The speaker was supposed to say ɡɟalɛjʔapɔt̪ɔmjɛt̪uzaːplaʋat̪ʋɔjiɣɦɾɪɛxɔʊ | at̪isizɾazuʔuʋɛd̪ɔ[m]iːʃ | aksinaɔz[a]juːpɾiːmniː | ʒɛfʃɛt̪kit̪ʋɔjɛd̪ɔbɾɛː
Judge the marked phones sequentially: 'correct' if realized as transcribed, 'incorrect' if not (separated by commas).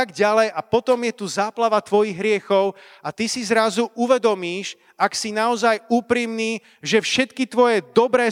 correct, correct